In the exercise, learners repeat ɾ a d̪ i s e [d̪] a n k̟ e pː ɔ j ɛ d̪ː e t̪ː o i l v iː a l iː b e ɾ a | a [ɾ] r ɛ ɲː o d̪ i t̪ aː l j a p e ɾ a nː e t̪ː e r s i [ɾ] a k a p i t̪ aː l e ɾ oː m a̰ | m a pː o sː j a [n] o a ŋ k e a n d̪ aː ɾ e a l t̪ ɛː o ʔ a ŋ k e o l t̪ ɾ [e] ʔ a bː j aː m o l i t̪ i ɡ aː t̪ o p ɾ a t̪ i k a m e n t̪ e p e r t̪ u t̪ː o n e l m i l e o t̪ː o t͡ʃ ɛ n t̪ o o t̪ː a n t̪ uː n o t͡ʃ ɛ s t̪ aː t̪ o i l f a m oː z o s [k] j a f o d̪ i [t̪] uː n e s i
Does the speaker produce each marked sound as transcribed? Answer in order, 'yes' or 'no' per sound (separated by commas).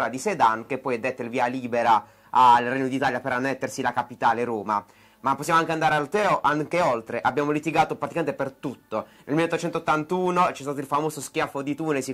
yes, no, no, no, yes, yes, yes